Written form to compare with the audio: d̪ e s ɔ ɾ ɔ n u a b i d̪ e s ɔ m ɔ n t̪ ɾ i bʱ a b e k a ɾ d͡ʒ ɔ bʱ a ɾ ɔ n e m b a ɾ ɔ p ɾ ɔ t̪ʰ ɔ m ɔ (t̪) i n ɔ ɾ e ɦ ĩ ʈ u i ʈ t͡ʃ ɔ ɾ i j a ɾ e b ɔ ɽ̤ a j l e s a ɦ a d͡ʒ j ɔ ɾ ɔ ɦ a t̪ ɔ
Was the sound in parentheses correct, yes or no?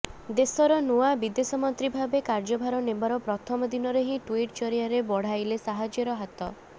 no